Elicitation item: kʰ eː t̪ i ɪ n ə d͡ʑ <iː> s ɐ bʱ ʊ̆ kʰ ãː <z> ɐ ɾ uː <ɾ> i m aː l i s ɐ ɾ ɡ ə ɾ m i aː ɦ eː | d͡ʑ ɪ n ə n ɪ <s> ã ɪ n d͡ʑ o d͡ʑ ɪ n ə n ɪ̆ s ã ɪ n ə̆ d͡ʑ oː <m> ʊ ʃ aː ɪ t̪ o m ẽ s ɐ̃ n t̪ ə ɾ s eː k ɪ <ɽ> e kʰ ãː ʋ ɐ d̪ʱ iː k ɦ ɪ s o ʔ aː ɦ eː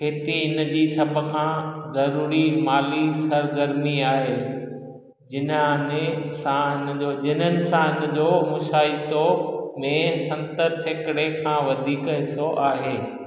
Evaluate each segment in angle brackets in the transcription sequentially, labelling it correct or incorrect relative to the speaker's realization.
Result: correct, correct, correct, correct, correct, correct

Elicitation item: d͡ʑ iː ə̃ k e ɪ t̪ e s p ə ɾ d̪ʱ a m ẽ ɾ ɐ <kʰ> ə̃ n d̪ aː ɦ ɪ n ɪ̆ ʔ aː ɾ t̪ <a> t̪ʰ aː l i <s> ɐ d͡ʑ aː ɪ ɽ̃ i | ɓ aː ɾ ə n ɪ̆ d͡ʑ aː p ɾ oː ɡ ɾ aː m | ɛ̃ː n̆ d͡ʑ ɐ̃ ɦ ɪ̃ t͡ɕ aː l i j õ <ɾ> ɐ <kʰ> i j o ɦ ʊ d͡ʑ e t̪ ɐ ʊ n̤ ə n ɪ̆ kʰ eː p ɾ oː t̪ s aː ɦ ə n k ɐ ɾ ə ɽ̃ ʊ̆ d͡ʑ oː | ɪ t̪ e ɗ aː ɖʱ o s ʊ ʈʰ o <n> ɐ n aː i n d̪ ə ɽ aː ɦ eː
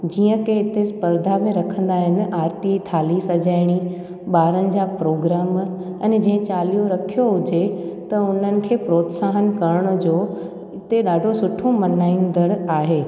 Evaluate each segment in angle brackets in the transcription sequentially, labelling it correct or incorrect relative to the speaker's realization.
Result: correct, incorrect: i, correct, correct, correct, incorrect: m

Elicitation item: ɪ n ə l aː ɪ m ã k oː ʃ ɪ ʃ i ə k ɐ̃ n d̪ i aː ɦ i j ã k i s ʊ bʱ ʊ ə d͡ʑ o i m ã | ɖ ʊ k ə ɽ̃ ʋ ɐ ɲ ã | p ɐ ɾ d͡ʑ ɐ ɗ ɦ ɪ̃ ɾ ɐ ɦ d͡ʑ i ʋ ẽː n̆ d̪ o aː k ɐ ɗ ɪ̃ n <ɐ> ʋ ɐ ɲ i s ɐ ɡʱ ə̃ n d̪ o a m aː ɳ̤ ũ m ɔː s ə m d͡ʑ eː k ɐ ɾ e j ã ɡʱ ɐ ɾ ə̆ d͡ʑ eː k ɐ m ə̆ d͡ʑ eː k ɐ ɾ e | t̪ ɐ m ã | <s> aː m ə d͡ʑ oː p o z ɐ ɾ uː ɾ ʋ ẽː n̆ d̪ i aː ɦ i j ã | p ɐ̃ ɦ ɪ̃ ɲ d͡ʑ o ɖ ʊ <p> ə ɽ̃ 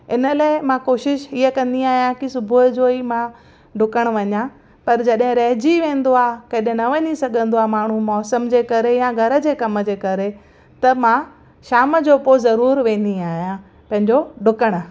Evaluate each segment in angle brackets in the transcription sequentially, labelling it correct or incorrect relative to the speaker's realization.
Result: correct, incorrect: ʃ, incorrect: k

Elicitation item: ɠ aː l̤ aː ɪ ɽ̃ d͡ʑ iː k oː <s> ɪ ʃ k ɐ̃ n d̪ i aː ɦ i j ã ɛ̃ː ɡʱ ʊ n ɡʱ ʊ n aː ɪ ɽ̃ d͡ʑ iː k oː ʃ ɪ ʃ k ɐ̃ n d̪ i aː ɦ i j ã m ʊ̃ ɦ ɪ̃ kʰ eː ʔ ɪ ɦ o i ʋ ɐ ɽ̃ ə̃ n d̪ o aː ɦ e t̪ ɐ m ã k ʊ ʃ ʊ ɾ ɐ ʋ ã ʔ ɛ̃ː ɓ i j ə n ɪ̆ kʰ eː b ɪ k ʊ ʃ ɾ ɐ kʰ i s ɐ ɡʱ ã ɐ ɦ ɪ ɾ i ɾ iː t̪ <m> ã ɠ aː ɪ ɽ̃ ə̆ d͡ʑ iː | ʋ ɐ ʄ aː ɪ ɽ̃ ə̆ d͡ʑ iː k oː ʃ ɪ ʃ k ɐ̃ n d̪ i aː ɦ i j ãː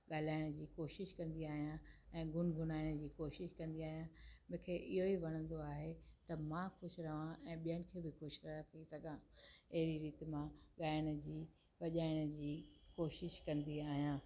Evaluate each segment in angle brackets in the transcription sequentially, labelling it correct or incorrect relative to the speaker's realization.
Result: incorrect: ʃ, correct

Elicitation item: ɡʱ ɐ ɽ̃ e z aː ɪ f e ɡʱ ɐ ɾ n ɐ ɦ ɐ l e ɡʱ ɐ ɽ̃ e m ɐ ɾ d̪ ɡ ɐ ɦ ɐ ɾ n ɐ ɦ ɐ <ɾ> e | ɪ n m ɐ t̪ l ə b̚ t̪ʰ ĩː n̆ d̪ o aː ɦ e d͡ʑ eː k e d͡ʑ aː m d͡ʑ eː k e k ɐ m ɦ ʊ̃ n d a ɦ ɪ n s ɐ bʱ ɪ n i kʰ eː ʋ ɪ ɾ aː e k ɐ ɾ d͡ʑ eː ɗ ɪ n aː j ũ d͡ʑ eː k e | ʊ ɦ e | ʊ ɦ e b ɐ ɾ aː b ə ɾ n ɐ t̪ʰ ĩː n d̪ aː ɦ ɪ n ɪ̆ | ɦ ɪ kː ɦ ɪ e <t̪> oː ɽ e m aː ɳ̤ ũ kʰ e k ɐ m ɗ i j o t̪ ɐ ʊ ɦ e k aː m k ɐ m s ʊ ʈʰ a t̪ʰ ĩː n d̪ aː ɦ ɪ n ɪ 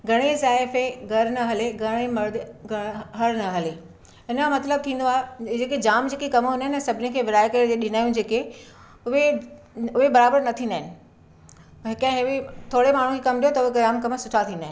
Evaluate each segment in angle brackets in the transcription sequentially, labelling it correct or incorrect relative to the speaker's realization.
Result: incorrect: l, incorrect: t̪ʰ

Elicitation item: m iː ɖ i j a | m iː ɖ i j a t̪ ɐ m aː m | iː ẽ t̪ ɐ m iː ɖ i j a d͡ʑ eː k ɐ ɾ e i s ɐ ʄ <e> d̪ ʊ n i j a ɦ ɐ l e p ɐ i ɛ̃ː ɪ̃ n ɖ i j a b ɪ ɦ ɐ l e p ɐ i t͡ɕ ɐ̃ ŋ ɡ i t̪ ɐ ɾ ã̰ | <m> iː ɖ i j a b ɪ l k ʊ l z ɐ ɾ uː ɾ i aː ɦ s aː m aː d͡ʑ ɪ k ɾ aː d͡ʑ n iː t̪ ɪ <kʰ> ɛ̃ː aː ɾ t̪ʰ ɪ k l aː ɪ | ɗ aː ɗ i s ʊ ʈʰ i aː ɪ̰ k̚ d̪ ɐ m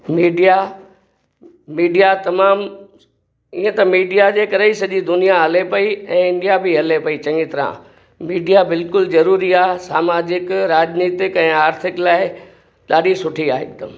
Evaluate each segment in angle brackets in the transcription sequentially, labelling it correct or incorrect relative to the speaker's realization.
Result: incorrect: i, correct, incorrect: k

